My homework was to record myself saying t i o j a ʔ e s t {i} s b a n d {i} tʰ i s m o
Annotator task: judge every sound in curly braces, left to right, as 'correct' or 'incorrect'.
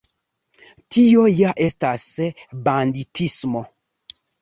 incorrect, correct

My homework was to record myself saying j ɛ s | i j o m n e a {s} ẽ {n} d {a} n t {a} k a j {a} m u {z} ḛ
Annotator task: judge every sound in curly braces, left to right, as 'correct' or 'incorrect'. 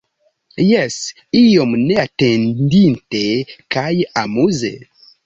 incorrect, correct, incorrect, incorrect, correct, correct

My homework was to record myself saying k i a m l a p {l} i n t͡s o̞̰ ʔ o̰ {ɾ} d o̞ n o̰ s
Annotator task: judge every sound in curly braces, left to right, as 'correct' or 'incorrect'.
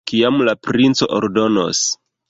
incorrect, correct

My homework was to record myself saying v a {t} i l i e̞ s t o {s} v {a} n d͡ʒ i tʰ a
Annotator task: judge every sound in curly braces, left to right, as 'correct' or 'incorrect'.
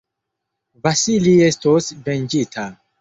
incorrect, correct, incorrect

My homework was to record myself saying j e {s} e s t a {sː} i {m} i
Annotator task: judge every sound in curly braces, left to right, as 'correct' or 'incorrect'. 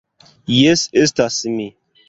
correct, incorrect, correct

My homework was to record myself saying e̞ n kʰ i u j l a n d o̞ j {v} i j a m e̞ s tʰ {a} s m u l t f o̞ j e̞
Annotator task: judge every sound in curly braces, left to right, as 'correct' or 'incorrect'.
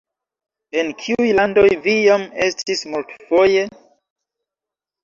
correct, incorrect

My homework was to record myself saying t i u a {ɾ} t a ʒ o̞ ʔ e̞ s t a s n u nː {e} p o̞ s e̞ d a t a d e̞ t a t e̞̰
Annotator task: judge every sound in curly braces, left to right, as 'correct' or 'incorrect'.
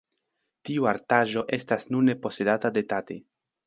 correct, correct

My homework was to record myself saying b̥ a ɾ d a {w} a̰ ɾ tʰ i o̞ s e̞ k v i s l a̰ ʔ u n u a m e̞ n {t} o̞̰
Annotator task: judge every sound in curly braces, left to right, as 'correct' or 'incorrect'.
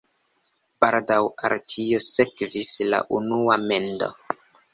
correct, incorrect

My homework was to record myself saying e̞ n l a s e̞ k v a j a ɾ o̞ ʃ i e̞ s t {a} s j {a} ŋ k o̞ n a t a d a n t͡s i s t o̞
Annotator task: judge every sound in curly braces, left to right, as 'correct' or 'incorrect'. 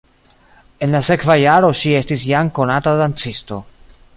incorrect, correct

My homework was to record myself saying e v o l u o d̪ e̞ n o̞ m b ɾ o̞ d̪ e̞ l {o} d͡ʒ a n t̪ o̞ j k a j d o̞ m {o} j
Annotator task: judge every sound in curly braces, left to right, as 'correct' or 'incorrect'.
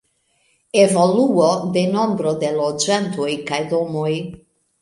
correct, correct

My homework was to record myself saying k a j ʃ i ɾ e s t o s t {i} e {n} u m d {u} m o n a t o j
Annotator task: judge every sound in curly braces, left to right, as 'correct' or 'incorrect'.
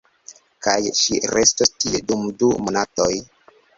correct, incorrect, correct

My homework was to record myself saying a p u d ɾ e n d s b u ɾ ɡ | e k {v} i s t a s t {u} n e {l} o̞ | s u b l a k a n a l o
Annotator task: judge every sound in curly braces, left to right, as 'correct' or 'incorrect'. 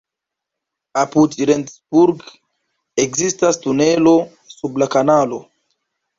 incorrect, correct, correct

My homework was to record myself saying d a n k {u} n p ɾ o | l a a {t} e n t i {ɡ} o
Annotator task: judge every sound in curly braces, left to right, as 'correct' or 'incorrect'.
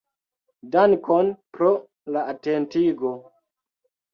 incorrect, correct, correct

